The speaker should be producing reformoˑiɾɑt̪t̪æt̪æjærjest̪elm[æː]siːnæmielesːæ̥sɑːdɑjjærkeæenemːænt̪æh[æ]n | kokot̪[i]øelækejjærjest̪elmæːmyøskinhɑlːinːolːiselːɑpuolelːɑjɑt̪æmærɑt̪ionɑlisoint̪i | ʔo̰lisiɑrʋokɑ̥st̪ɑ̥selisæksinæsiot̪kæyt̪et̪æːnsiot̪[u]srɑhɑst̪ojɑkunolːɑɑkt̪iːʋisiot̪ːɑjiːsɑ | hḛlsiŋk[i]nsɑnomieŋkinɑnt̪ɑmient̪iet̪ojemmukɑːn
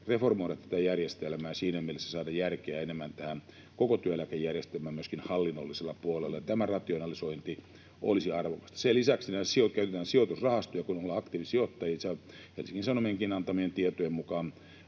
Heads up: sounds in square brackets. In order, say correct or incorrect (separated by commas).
correct, correct, incorrect, correct, correct